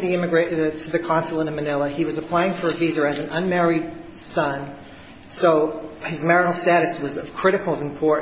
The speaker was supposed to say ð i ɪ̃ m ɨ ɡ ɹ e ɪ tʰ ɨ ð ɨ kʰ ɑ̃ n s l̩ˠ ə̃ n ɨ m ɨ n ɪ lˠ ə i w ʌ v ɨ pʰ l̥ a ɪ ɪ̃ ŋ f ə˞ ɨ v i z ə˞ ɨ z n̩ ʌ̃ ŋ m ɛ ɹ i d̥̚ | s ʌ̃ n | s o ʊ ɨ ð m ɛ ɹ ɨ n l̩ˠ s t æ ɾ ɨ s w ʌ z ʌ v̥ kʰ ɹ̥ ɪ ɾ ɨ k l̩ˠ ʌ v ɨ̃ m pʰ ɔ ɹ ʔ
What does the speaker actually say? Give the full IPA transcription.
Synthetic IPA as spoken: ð i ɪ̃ m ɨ ɡ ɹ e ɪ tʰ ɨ ð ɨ kʰ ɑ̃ n s l̩ˠ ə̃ n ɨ m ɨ n ɪ lˠ ə i w ʌ z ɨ pʰ l̥ a ɪ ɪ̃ ŋ f ə˞ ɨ v i z ə˞ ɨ z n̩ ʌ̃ n m ɛ ɹ i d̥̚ | s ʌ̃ n | s o ʊ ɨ z m ɛ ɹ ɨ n l̩ˠ s t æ ɾ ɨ s w ʌ z ʌ v̥ kʰ ɹ̥ ɪ ɾ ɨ k l̩ˠ ʌ v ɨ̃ m pʰ ɔ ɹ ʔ